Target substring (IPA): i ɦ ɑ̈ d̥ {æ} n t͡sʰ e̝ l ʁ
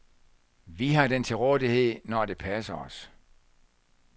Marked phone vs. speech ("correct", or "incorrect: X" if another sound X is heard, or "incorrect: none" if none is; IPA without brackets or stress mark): incorrect: e